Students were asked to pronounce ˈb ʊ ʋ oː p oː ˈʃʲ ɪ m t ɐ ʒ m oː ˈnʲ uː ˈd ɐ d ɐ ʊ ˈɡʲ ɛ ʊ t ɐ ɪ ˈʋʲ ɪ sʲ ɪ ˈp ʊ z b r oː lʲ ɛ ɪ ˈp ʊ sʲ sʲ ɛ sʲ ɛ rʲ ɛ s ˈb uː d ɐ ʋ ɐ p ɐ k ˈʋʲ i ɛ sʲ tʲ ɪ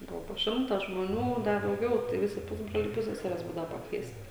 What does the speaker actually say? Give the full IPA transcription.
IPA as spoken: ˈb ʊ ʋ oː p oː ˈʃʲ ɪ m t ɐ ʒ m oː ˈnʲ uː ˈd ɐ d ɐ ʊ ˈɡʲ ɛ ʊ t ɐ ɪ ˈʋʲ ɪ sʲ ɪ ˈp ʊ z b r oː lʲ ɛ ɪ ˈp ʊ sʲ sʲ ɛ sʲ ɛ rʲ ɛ s ˈb uː d ɐ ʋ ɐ p ɐ k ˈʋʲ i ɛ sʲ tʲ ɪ